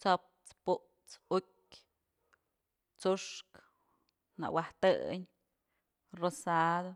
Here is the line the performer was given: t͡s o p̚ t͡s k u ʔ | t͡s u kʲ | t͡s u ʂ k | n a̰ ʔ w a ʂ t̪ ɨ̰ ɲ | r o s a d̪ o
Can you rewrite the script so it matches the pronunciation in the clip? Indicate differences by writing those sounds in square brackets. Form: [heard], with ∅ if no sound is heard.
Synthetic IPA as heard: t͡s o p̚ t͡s [p] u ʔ | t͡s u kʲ | t͡s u ʂ k | n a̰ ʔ w a [h] t̪ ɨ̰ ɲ | r o s a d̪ o